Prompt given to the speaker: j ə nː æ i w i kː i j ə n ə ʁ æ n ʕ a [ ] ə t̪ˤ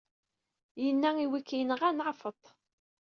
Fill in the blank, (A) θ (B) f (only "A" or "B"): B